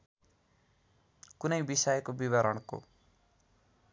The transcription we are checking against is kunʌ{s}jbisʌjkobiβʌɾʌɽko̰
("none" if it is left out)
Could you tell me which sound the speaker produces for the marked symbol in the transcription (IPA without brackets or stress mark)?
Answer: none